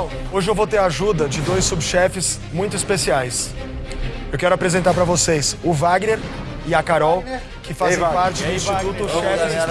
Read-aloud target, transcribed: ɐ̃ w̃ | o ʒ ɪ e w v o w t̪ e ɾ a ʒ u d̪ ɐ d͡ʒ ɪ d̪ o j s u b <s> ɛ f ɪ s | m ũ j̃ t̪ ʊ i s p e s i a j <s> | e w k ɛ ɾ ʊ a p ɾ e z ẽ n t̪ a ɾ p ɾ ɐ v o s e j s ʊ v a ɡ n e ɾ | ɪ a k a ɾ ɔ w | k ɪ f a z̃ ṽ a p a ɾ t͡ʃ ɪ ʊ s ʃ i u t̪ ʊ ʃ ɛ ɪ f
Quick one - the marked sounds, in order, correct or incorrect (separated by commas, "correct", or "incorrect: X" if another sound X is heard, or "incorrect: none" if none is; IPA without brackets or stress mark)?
incorrect: ʃ, correct